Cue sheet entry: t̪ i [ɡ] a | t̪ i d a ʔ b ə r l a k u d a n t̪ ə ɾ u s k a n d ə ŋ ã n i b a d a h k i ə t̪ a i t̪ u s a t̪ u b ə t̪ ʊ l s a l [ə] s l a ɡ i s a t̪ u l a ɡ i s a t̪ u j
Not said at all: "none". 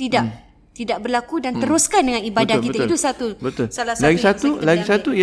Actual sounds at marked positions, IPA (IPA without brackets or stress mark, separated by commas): d, a